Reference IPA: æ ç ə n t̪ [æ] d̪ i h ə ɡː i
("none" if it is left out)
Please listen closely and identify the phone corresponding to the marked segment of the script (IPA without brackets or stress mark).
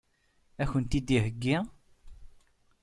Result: i